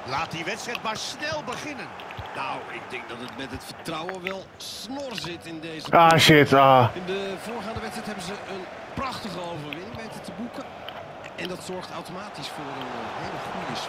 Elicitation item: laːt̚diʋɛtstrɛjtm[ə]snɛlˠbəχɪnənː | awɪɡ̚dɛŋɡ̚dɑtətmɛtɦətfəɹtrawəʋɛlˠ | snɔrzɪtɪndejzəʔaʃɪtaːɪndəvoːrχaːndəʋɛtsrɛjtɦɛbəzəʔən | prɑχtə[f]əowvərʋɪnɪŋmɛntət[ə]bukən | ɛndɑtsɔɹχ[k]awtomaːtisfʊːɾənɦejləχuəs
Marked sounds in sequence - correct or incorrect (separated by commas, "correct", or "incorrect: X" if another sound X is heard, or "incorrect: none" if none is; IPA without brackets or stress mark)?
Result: incorrect: a, incorrect: χ, correct, incorrect: t